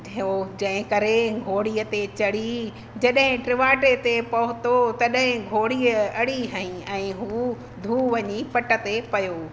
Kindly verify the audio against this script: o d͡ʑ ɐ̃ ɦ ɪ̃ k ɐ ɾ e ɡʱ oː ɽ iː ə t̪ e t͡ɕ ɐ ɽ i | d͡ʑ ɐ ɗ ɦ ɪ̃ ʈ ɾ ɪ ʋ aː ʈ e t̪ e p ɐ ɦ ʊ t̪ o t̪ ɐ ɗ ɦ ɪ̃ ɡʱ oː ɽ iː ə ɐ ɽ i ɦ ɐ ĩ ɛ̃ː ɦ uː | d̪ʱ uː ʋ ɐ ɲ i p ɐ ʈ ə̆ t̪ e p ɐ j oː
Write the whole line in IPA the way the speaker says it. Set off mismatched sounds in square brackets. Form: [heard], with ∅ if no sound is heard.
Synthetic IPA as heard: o d͡ʑ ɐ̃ ɦ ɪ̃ k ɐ ɾ e ɡʱ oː ɽ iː ə t̪ e t͡ɕ ɐ ɽ i | d͡ʑ ɐ ɗ ɦ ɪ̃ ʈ ɾ ɪ ʋ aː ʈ e t̪ e p ɐ ɦ ʊ t̪ o t̪ ɐ ɗ ɦ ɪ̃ ɡʱ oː ɽ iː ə ɐ ɽ i ɦ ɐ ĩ ɛ̃ː ɦ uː | d̪ʱ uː ʋ ɐ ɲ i p ɐ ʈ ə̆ t̪ e p ɐ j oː